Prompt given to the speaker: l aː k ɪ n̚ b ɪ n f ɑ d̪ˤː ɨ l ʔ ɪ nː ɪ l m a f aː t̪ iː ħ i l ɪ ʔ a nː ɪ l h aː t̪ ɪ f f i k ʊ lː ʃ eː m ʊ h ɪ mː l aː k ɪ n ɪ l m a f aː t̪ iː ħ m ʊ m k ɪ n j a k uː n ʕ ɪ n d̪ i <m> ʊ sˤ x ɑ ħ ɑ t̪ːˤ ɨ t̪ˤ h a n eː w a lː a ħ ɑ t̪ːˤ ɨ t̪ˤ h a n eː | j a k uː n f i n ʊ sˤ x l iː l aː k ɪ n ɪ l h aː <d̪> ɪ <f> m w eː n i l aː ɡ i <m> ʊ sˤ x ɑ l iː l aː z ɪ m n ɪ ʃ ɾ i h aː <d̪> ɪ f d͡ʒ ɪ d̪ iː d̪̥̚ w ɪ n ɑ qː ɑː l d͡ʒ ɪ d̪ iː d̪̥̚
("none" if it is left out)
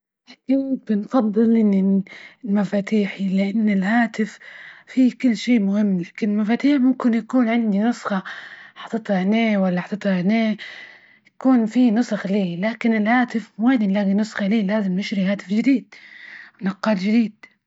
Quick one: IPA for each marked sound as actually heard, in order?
n, t̪, f, n, t̪

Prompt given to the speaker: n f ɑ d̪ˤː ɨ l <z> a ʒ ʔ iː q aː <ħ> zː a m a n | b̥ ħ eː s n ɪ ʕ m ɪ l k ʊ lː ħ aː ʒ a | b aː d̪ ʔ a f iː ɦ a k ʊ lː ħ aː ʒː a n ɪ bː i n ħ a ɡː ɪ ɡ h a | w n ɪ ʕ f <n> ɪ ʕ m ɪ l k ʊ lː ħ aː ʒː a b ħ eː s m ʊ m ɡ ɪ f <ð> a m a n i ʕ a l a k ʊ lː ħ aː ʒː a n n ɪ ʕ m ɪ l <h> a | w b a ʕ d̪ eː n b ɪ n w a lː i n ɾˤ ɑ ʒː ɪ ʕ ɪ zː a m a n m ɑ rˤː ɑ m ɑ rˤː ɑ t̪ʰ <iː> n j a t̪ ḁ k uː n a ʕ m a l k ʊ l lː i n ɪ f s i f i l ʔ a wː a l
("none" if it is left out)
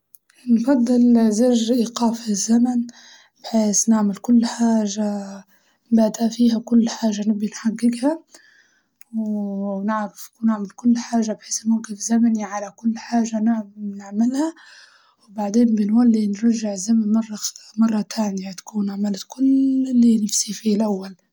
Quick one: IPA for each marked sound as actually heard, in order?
z, f, n, z, h, aː

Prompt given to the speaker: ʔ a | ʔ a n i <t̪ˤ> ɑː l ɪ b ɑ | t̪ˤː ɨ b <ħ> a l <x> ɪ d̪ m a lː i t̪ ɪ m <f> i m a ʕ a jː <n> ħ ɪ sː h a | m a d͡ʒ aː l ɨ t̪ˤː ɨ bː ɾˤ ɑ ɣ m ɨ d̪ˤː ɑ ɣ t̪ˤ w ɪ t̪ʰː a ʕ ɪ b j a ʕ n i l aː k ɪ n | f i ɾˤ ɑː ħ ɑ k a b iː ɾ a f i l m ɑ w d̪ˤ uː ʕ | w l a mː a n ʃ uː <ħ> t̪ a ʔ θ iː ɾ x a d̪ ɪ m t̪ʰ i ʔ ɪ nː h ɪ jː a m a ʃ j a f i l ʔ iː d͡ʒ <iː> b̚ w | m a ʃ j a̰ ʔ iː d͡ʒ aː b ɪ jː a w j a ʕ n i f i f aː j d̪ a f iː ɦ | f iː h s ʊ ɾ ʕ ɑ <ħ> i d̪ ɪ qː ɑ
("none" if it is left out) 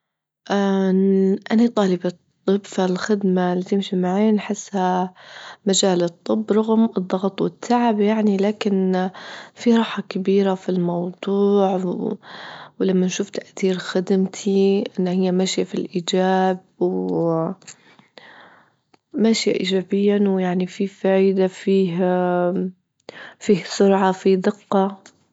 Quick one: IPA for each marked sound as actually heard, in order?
t̪ˤ, f, x, ʃ, n, f, aː, f

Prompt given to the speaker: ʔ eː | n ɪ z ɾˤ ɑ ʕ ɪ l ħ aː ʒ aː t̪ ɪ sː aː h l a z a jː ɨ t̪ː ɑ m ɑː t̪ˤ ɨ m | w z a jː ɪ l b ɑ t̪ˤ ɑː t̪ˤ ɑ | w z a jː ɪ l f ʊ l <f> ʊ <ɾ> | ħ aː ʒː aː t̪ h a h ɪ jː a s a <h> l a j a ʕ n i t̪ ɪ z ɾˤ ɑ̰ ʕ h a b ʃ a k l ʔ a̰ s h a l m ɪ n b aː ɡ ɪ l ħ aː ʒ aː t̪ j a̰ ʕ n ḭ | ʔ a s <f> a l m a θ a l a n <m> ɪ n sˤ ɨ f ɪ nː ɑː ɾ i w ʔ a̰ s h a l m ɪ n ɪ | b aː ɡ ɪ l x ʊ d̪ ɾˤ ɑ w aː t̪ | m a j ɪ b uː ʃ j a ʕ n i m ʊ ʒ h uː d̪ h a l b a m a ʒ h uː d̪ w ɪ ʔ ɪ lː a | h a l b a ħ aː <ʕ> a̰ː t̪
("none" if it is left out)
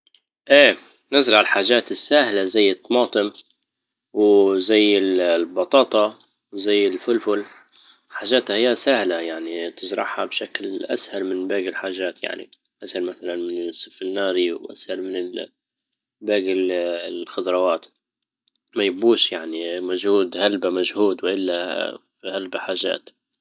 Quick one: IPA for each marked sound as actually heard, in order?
f, l, h, h, m, ʒ

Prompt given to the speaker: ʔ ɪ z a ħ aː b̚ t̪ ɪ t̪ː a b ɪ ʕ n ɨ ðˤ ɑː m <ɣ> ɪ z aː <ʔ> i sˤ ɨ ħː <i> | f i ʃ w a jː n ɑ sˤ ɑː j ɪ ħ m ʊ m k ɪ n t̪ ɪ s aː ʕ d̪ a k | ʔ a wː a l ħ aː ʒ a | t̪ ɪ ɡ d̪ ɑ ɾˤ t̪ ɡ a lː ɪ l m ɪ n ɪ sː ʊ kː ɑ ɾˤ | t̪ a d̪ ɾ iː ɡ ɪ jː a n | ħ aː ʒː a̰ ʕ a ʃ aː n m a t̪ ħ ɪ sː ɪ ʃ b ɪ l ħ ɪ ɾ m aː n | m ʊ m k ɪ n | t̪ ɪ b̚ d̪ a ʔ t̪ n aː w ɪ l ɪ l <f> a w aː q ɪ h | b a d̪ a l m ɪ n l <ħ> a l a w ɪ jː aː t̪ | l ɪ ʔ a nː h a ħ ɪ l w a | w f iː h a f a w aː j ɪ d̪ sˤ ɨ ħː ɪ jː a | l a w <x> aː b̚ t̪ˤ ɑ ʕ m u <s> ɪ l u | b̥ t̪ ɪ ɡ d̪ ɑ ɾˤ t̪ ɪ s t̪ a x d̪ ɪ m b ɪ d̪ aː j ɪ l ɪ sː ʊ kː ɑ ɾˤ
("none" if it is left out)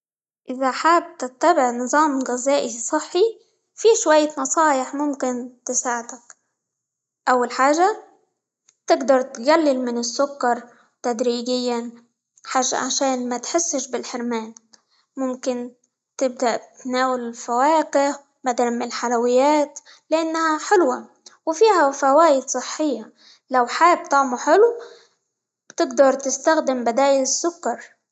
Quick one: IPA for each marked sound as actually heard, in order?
ɣ, ʔ, i, f, ħ, ħ, ħ

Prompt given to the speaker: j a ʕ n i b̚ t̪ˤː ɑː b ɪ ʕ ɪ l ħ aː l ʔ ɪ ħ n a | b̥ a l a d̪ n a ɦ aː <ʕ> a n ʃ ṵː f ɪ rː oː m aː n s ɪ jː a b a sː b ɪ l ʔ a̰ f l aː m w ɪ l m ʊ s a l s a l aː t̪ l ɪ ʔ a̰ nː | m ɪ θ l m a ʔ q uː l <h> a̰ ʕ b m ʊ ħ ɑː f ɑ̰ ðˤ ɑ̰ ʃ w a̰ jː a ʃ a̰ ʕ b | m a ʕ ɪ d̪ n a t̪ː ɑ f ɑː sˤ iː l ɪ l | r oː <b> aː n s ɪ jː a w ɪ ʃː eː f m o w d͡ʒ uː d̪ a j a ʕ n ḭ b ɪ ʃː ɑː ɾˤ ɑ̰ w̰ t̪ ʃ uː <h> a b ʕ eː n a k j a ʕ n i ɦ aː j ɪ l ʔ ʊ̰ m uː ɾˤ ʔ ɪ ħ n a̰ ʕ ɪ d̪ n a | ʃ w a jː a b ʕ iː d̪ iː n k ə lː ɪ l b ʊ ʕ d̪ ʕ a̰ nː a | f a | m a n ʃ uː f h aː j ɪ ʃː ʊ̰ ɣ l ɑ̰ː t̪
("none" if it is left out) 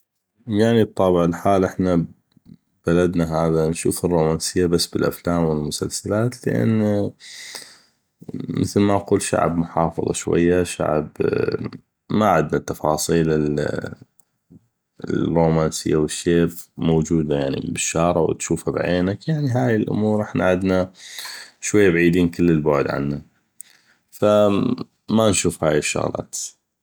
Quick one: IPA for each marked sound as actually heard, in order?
ð, ʃ, m, f

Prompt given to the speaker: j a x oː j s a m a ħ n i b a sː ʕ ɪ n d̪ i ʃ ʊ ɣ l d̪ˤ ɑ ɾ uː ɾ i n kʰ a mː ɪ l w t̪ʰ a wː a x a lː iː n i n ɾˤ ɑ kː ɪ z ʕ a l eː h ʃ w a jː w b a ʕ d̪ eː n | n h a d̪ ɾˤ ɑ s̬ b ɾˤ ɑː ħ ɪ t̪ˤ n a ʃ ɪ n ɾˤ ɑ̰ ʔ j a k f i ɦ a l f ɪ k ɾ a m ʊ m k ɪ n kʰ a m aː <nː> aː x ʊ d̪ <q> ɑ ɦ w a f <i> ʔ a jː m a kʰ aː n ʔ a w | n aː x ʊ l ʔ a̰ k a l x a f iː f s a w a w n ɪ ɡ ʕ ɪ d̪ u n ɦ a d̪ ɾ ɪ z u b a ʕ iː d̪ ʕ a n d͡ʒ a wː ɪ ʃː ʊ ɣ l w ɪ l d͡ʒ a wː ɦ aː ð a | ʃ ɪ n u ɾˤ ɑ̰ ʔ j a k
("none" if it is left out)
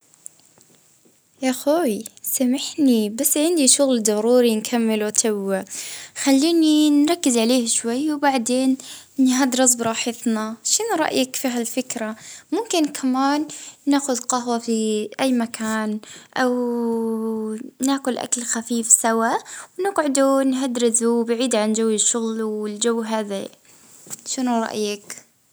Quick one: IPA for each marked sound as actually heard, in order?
nː, q, i

